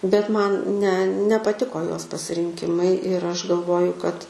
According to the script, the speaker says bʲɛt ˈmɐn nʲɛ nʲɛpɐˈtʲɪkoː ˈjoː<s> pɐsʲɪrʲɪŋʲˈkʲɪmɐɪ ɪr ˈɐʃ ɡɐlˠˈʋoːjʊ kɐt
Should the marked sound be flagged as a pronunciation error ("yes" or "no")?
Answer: no